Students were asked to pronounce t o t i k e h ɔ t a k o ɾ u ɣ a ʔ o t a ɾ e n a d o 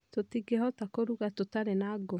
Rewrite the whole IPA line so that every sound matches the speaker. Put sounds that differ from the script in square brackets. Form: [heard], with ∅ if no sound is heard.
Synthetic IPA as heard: t o t i [ɡ] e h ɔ t a k o ɾ u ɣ a [t] o t a ɾ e n a [ɡ] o